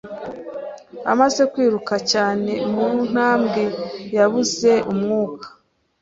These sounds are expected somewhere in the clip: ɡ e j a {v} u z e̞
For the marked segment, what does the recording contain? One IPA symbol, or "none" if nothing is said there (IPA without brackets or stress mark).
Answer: β